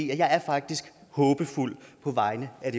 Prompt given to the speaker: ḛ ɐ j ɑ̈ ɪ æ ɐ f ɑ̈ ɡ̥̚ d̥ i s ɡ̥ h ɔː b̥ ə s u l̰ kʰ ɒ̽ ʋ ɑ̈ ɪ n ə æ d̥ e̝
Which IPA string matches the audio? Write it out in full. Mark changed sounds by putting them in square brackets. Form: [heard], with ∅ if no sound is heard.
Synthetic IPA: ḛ ɐ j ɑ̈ ɪ æ ɐ f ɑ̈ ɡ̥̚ d̥ i s ɡ̥ h ɔː b̥ ə [f] u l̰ [pʰ] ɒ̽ ʋ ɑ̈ ɪ n ə æ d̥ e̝